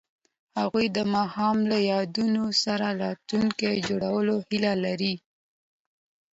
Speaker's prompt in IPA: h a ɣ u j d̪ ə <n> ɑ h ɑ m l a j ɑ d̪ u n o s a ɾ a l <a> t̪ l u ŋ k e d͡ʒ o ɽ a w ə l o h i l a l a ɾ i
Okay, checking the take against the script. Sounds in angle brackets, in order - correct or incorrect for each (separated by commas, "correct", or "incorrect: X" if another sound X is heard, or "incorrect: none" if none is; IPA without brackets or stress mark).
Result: incorrect: m, incorrect: ɑ